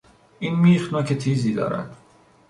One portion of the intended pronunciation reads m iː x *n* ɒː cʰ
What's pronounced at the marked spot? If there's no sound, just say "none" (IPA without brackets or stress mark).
n